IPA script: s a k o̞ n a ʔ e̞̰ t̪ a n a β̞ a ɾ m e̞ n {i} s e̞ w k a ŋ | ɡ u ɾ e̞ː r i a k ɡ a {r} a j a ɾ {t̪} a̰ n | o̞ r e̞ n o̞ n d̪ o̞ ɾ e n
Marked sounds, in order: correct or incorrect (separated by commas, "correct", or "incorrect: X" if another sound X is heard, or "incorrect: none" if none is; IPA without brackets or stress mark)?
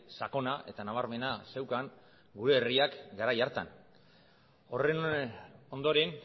incorrect: a, incorrect: ɾ, correct